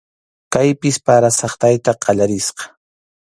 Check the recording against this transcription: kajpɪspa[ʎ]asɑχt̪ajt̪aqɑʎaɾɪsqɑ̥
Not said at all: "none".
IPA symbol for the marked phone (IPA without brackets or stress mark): ɾ